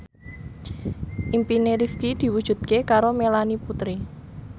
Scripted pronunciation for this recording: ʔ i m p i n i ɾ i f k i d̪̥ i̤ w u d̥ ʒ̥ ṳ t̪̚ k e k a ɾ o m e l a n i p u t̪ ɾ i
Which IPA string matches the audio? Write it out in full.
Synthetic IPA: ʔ i m p i n e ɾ i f k i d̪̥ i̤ w u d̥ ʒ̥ ṳ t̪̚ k e k a ɾ o m e l a n i p u t̪ ɾ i